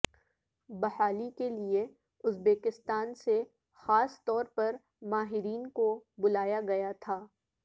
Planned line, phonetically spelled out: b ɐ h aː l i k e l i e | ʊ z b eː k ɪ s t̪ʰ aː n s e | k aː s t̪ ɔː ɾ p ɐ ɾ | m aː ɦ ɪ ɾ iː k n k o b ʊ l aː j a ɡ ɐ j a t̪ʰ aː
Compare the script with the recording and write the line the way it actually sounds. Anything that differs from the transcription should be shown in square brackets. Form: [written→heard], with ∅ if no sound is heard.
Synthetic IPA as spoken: b ɐ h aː l i k e l i e | ʊ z b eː k ɪ s [t̪ʰ→t̪] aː n s e | [k→x] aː s t̪ ɔː ɾ p ɐ ɾ | m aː ɦ ɪ ɾ iː [k→∅] n k o b ʊ l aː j a ɡ ɐ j a t̪ʰ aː

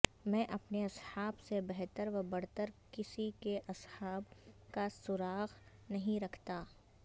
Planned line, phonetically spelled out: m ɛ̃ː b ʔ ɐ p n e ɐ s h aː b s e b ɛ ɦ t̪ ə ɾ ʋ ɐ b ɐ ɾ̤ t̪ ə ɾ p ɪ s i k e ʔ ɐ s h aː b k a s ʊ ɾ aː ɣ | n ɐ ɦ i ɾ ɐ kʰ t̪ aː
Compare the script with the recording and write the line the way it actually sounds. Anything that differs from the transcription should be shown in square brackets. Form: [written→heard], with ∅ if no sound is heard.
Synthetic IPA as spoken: m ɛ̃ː [b→∅] ʔ ɐ p n e ɐ s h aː b s e b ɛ ɦ t̪ ə ɾ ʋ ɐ b ɐ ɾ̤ t̪ ə ɾ [p→k] ɪ s i k e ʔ ɐ s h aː b k a s ʊ ɾ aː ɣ | n ɐ ɦ [i→ĩ] ɾ ɐ kʰ t̪ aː

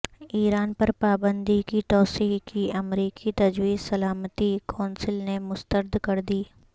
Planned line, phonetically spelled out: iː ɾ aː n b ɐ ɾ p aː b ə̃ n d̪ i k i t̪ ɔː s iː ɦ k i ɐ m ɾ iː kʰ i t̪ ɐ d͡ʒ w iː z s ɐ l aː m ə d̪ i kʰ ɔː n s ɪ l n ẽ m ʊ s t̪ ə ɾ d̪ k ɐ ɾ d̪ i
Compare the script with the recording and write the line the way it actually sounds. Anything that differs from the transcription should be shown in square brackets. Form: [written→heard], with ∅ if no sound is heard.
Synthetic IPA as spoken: iː ɾ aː n [b→p] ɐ ɾ p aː b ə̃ n d̪ i k i t̪ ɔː s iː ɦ k i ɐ m ɾ iː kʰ i t̪ ɐ d͡ʒ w iː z s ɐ l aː m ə [d̪→t̪] i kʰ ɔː n s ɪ l n [ẽ→e] m ʊ s t̪ ə ɾ d̪ k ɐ ɾ d̪ [i→iː]

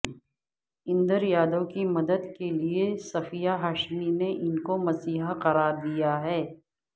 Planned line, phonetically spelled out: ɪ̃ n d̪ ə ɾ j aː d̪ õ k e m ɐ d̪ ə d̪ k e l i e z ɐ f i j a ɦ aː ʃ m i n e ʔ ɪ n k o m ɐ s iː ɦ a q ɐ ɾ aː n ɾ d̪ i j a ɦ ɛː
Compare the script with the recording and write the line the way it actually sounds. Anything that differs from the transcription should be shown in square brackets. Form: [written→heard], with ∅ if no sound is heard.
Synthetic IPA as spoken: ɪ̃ n d̪ ə ɾ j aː d̪ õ k [e→i] m ɐ d̪ ə d̪ k e l i e [z→s] ɐ f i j a ɦ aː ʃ m i n e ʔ ɪ n k o m ɐ s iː ɦ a q ɐ ɾ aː [n→∅] ɾ d̪ i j a ɦ ɛː

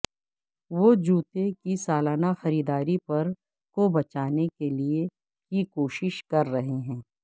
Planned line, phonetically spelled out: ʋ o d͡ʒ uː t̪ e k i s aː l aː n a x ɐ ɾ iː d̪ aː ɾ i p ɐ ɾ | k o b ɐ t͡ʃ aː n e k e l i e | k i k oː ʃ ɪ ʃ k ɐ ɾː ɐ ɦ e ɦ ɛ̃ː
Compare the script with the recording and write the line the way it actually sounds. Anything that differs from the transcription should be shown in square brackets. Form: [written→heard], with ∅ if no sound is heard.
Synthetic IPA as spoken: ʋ o d͡ʒ uː t̪ e k i s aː l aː n a x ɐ ɾ iː d̪ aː ɾ i p ɐ ɾ | k o b ɐ t͡ʃ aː n e k e l i e | k i k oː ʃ ɪ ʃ k ɐ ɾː ɐ ɦ e ɦ ɛ̃ː

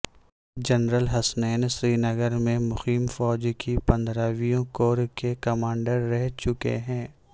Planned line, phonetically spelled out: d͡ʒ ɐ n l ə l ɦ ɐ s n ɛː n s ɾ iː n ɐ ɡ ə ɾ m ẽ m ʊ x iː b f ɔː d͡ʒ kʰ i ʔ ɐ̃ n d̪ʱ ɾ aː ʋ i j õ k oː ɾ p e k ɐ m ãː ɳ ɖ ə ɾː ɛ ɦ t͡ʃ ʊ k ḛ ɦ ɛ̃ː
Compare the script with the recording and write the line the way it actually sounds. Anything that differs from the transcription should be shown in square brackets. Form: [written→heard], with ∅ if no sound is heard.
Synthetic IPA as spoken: d͡ʒ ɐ n [l→ɾ] ə l ɦ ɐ s n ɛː n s ɾ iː n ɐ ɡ ə ɾ m ẽ m ʊ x iː [b→m] f ɔː d͡ʒ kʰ i [ʔ→p] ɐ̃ n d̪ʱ ɾ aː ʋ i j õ k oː ɾ [p→k] e k ɐ m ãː ɳ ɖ ə ɾː ɛ ɦ t͡ʃ ʊ k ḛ ɦ ɛ̃ː

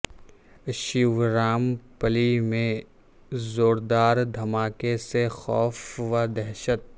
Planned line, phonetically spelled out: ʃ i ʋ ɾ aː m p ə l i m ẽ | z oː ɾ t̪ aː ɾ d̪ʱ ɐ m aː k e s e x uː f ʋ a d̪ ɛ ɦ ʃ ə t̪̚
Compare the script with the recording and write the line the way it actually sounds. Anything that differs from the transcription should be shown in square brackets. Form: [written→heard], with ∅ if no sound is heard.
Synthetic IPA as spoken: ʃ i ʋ ɾ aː m p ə l i m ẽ | z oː ɾ [t̪→d̪] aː ɾ d̪ʱ ɐ m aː k e s e x [uː→ɔː] f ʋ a d̪ ɛ ɦ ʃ ə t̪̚

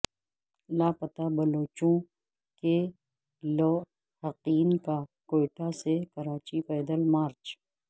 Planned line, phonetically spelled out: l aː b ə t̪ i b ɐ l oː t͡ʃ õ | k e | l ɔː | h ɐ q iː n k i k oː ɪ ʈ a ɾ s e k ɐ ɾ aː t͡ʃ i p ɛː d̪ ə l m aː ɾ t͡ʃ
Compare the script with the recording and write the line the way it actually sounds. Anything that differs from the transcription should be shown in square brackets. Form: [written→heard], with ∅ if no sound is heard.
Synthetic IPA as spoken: l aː [b→p] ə t̪ [i→a] b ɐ l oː t͡ʃ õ | k e | l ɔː | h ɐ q iː n k [i→a] k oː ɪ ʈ a [ɾ→∅] s e k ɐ ɾ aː t͡ʃ i p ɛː d̪ ə l m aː ɾ t͡ʃ

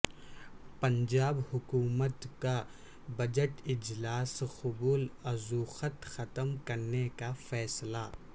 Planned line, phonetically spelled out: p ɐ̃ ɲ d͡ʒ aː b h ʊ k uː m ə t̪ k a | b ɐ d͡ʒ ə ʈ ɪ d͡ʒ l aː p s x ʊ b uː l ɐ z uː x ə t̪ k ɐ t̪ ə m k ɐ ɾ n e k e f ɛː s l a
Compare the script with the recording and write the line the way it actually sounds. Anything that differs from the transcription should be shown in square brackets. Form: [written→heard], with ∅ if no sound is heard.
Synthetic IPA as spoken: p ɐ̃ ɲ d͡ʒ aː b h ʊ k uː m ə t̪ k a | b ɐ d͡ʒ ə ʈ ɪ d͡ʒ l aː [p→∅] s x ʊ b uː l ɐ z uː x ə t̪ [k→x] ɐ t̪ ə m k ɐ ɾ n e k [e→a] f ɛː s l a

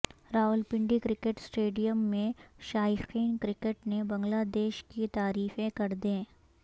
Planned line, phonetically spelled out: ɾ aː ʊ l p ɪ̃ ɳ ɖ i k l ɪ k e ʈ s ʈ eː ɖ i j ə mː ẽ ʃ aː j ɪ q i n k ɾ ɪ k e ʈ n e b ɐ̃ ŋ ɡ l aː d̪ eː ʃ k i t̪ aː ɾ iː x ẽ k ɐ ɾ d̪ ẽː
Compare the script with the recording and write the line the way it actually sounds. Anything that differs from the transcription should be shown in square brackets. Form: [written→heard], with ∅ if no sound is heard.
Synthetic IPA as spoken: ɾ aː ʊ l p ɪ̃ ɳ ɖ i k [l→ɾ] ɪ k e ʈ s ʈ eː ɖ i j ə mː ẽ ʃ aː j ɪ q [i→iː] n k ɾ ɪ k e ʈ n e b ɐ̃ ŋ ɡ l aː d̪ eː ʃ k i t̪ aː ɾ iː [x→f] ẽ k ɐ ɾ d̪ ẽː

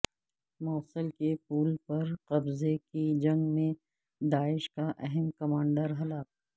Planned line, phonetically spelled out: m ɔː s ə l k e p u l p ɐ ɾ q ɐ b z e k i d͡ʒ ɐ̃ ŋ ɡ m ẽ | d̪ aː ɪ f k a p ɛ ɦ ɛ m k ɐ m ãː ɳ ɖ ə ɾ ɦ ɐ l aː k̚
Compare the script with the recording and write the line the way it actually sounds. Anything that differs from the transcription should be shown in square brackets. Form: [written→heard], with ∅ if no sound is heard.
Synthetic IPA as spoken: m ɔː s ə l k e p [u→uː] l p ɐ ɾ q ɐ b z e k i d͡ʒ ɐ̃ ŋ ɡ m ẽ | d̪ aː ɪ [f→ʃ] k a [p→ʔ] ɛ ɦ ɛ m k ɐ m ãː ɳ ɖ ə ɾ ɦ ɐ l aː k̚

